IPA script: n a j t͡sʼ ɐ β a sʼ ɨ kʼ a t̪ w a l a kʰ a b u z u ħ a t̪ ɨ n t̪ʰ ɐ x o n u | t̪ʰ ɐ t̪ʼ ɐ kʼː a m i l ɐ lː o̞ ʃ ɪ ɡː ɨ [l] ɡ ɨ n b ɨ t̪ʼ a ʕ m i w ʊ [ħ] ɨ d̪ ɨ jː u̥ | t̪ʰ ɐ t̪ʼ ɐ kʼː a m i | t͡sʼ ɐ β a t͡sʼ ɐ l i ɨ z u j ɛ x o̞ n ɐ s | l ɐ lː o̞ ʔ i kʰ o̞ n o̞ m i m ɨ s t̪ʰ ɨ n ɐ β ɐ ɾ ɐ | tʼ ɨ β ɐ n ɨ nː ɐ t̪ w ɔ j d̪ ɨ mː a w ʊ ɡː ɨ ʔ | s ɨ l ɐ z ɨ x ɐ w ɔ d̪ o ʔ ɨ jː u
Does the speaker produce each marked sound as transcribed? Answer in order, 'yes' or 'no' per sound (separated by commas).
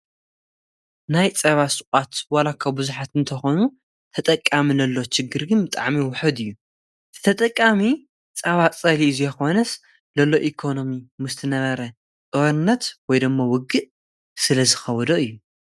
no, yes